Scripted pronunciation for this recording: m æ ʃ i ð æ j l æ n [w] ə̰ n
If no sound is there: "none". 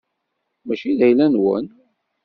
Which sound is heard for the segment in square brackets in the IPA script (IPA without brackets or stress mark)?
w